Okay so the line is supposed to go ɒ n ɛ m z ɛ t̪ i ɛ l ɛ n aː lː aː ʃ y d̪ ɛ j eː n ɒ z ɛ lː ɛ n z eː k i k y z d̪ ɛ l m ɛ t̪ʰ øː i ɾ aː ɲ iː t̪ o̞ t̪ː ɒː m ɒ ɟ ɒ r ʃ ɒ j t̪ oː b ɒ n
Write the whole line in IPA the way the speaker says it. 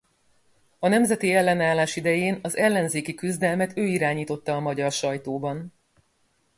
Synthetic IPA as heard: ɒ n ɛ m z ɛ t̪ i ɛ lː ɛ n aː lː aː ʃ i d̪ ɛ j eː n ɒ z ɛ lː ɛ n z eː k i k y z d̪ ɛ l m ɛ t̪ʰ øː i ɾ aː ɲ iː t̪ o̞ t̪ː ɒː m ɒ ɟ ɒ r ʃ ɒ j t̪ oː b ɒ n